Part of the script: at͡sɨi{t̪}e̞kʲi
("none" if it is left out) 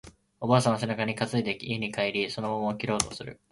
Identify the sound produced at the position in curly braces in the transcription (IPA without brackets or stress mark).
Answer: d̪